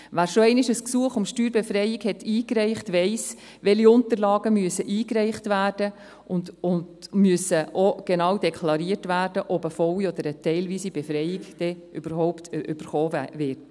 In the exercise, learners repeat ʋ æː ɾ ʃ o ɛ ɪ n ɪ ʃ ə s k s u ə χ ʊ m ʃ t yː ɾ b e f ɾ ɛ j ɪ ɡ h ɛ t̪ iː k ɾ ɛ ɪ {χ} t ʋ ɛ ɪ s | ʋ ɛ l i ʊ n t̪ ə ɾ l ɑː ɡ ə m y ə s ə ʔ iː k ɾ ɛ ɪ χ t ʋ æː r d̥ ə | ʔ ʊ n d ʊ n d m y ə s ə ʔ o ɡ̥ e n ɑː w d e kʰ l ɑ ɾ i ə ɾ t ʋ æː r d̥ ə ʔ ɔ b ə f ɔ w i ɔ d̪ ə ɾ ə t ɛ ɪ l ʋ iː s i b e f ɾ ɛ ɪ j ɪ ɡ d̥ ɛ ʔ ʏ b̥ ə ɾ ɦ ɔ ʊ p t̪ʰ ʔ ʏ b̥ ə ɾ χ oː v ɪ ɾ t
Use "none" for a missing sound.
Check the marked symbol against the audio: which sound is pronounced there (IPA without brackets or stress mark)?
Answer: χ